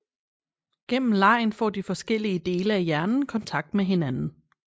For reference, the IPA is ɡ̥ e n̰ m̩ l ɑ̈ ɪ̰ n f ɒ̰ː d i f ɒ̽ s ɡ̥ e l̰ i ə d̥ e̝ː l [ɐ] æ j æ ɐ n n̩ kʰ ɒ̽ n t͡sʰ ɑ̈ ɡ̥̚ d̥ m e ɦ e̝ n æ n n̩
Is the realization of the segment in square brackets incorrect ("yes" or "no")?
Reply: yes